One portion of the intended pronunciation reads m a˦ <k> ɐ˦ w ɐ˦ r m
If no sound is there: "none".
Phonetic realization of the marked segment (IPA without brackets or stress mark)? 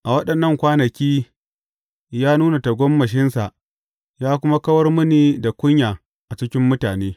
k